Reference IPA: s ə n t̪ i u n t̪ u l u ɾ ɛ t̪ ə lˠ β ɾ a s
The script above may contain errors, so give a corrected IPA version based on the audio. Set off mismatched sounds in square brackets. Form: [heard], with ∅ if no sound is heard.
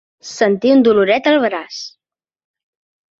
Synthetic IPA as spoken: s ə n t̪ i u n [d̪] u l u ɾ ɛ t̪ ə lˠ β ɾ a s